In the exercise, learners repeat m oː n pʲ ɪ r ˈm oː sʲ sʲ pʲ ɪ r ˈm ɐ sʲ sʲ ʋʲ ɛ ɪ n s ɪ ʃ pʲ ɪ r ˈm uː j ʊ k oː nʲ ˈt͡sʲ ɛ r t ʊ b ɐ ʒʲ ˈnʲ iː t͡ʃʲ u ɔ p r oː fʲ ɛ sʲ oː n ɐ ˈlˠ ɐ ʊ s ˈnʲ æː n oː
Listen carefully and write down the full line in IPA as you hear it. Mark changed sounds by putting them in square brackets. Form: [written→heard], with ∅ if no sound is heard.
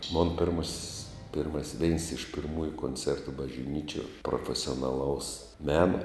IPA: m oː n pʲ ɪ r ˈm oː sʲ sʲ pʲ ɪ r ˈm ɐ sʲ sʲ ʋʲ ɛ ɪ n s ɪ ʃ pʲ ɪ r ˈm uː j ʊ k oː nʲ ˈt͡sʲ ɛ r t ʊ b ɐ ʒʲ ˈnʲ iː t͡ʃʲ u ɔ p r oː fʲ ɛ sʲ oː n ɐ ˈlˠ ɐ ʊ s [ˈnʲ→ˈmʲ] æː n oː